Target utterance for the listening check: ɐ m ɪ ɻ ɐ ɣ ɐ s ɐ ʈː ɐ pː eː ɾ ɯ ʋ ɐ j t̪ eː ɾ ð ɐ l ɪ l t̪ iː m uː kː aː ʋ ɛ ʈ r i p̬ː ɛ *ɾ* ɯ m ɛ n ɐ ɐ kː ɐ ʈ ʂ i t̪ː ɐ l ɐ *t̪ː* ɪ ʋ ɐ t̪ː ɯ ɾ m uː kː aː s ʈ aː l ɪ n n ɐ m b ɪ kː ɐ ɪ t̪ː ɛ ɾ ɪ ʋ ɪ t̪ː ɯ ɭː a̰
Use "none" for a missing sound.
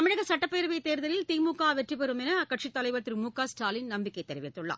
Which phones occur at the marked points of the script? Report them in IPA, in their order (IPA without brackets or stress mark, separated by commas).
ɾ, none